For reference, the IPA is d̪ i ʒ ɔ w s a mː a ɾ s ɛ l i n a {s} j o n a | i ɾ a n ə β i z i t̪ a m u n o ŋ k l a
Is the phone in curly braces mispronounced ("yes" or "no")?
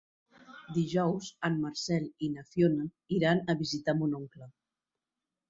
yes